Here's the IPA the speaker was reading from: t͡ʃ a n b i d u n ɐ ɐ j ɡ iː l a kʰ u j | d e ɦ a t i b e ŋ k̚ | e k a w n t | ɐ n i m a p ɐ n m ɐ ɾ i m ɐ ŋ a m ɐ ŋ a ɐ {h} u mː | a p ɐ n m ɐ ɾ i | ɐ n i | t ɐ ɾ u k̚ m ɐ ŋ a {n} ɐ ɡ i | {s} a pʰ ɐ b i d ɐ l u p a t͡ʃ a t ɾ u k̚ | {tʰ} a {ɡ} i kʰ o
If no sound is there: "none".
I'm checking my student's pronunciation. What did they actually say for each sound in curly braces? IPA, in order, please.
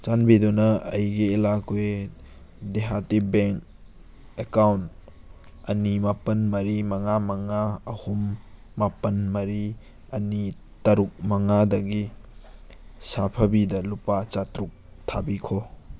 h, d, s, tʰ, b

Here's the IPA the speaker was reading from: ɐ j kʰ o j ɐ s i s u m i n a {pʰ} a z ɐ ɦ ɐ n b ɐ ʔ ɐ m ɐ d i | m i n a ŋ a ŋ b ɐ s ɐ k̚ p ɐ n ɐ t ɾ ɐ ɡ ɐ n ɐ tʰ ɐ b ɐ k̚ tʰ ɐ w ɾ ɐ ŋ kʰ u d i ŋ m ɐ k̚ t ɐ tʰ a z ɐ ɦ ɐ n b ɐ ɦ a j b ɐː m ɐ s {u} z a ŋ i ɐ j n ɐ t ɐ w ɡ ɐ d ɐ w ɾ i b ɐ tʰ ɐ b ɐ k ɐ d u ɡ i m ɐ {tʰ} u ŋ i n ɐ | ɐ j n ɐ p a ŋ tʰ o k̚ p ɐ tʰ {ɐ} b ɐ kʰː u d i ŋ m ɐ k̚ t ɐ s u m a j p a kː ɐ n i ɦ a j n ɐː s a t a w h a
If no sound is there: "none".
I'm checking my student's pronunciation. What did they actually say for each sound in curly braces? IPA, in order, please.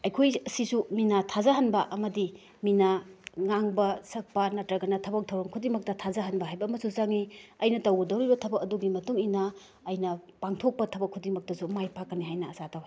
tʰ, u, t, ɐ

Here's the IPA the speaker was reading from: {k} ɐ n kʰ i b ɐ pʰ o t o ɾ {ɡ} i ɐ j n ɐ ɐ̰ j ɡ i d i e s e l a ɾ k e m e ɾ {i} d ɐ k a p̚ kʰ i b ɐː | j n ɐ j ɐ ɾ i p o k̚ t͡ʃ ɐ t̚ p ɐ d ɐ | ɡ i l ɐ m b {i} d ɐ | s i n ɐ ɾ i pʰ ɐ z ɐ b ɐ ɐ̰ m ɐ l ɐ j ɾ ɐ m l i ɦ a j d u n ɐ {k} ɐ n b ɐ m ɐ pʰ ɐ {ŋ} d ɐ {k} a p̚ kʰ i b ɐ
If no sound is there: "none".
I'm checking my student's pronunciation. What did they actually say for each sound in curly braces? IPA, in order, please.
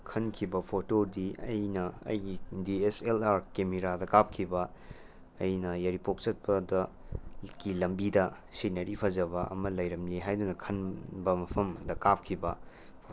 kʰ, d, a, i, kʰ, m, k

